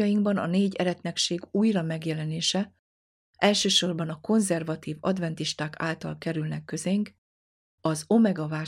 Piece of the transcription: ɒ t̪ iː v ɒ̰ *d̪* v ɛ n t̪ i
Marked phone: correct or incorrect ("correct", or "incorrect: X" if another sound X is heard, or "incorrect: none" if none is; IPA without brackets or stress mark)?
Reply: correct